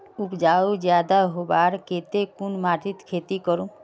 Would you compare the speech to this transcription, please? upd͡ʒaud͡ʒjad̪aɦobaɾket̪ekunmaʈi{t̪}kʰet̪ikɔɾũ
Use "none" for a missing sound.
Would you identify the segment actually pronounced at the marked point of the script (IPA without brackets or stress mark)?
t̪